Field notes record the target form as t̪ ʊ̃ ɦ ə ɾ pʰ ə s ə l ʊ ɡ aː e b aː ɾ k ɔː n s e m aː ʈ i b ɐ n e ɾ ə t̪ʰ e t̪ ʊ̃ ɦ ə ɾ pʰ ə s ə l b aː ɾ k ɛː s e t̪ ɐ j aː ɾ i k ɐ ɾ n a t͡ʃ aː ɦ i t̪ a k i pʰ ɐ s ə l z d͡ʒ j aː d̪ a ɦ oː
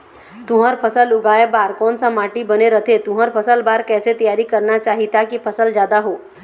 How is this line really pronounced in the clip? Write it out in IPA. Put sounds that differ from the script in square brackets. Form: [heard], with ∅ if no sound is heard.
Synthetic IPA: t̪ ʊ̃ ɦ ə ɾ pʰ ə s ə l ʊ ɡ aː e b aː ɾ k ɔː n s [a] m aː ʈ i b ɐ n e ɾ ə t̪ʰ e t̪ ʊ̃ ɦ ə ɾ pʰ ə s ə l b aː ɾ k ɛː s e t̪ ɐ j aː ɾ i k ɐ ɾ n a t͡ʃ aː ɦ i t̪ a k i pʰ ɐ s ə l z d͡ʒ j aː d̪ a ɦ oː